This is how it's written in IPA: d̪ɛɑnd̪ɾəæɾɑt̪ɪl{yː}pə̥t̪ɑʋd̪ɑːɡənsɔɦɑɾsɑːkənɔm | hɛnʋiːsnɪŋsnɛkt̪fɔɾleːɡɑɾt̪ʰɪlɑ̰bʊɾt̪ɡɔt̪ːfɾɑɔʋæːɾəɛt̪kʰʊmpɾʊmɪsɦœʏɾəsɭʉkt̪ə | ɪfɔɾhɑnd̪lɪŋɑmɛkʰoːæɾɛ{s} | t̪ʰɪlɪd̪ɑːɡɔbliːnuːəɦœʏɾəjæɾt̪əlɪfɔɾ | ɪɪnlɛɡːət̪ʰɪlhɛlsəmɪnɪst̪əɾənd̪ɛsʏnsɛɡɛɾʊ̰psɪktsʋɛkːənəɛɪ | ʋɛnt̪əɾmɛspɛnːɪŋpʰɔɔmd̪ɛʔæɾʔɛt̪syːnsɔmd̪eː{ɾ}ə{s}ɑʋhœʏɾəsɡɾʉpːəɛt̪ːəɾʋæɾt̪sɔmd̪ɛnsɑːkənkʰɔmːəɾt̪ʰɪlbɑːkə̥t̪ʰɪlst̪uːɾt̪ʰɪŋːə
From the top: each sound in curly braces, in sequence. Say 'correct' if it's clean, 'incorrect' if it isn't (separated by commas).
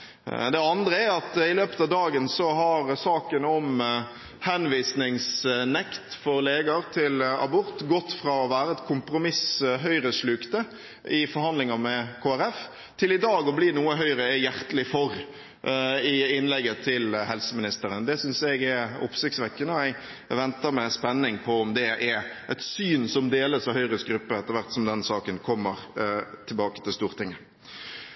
incorrect, incorrect, incorrect, correct